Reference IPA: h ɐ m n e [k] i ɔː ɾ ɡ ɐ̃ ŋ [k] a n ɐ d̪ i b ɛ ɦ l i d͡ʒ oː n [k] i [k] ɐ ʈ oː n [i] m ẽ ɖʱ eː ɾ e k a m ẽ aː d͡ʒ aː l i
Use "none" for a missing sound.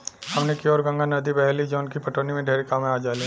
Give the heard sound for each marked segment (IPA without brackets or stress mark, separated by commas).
k, ɡ, k, p, i